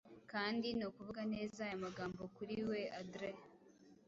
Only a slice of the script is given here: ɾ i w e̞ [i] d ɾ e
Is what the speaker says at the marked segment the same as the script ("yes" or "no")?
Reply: no